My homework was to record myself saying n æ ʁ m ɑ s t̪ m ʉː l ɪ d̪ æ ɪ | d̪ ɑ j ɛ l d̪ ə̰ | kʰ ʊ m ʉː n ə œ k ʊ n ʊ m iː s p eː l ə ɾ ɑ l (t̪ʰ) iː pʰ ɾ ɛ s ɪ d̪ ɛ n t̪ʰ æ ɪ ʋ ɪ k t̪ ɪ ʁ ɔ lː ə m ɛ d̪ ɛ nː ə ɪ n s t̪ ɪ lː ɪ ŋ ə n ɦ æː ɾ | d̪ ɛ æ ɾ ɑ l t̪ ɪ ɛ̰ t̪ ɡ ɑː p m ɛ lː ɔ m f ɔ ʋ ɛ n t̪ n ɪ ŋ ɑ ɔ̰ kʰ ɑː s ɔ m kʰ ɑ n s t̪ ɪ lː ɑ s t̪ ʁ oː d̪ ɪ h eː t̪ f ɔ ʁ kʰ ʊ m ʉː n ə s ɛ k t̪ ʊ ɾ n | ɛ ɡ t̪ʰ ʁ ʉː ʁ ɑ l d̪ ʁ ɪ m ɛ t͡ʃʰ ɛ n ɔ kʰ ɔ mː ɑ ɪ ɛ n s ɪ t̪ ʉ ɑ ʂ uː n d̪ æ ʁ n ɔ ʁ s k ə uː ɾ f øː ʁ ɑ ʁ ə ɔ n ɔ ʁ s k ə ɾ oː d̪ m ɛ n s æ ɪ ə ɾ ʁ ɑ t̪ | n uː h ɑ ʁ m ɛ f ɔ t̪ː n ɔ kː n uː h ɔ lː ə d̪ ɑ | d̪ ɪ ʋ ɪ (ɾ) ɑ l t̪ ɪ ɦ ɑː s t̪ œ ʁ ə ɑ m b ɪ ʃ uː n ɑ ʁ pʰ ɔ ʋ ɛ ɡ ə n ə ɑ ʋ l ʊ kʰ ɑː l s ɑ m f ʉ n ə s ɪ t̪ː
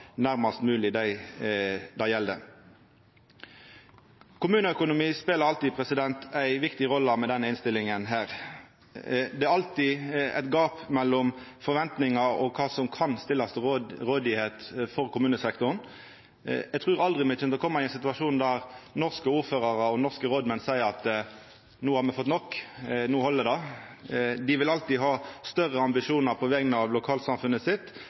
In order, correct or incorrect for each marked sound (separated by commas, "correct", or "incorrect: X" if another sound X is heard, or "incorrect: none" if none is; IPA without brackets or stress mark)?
incorrect: t̪, incorrect: l